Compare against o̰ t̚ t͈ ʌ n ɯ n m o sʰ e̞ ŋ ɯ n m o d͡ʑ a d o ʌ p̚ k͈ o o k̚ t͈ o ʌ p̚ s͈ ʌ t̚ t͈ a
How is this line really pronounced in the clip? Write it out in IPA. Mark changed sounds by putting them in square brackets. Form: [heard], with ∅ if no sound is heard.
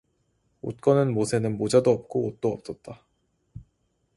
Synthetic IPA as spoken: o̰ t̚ [k͈] ʌ n ɯ n m o sʰ e̞ [n] ɯ n m o d͡ʑ a d o ʌ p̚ k͈ o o [t̚] t͈ o ʌ p̚ s͈ ʌ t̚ t͈ a